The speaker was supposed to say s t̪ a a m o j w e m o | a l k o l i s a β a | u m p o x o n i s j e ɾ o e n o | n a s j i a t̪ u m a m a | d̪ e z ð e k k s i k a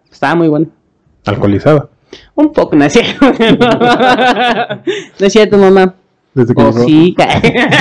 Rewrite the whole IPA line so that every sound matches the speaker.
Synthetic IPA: s t̪ a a m u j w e n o | a l k o l i s a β a | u m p o k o n a s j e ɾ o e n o | n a s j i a t̪ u m a m a | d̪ e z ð e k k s i k a